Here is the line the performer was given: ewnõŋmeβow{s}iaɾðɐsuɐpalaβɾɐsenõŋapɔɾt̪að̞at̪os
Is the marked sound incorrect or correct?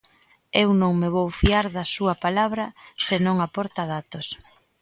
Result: incorrect